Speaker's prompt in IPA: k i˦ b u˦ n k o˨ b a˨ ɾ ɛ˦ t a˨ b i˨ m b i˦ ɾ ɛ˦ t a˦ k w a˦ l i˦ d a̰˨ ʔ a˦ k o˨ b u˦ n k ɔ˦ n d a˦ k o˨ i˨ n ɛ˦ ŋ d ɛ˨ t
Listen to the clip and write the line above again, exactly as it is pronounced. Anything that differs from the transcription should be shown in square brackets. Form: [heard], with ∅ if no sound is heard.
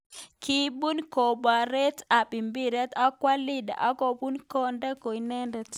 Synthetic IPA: k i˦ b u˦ n k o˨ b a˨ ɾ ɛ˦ t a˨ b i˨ m b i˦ ɾ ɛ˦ t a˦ k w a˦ l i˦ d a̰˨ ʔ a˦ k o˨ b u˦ n k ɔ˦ n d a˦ k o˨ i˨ n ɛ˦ [n] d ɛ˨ t